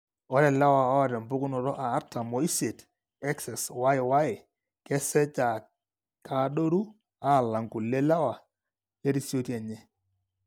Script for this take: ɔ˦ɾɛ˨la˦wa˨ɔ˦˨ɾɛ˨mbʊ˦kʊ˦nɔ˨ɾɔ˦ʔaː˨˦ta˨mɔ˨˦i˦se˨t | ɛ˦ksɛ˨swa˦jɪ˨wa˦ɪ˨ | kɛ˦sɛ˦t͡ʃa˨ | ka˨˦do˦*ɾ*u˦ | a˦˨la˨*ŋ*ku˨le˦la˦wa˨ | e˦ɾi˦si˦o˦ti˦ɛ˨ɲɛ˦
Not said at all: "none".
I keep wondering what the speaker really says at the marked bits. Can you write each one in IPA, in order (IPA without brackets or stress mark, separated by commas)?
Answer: ɾ, ŋ